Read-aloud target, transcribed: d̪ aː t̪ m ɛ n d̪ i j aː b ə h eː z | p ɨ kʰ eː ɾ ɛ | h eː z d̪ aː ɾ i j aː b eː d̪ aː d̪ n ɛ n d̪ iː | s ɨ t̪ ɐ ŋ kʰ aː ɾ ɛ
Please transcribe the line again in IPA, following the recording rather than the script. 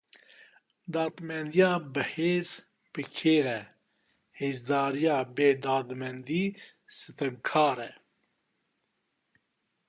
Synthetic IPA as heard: d̪ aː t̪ m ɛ n d̪ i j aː b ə h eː z | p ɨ kʰ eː ɾ ɛ | h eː z d̪ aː ɾ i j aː b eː d̪ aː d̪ m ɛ n d̪ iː | s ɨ t̪ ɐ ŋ kʰ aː ɾ ɛ